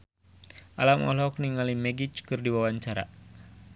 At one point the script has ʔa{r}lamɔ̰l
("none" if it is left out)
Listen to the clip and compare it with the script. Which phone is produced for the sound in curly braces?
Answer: none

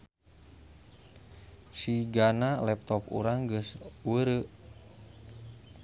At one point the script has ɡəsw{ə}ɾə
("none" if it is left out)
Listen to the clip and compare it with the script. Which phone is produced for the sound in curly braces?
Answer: ə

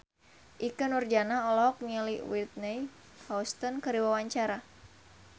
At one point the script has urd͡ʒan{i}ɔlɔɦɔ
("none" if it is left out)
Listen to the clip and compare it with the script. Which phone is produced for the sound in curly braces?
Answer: a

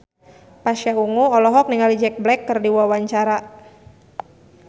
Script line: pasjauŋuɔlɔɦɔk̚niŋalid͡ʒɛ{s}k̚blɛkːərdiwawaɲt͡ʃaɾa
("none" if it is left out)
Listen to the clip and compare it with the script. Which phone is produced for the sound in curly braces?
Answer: none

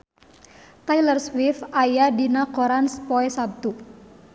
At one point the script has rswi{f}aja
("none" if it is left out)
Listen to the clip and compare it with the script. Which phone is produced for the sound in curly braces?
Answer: f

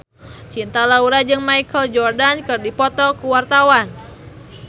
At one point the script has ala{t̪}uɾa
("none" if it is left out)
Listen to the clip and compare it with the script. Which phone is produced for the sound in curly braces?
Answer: none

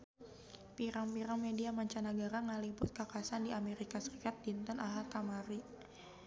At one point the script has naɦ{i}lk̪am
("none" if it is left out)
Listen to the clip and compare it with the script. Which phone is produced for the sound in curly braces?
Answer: a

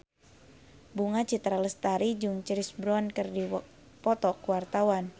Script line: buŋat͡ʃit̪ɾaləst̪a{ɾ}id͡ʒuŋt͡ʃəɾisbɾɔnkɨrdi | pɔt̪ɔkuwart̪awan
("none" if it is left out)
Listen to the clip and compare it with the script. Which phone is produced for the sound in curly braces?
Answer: ɾ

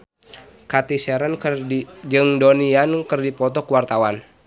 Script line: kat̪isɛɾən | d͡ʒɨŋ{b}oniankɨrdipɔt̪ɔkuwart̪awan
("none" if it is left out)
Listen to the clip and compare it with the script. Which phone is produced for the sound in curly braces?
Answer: d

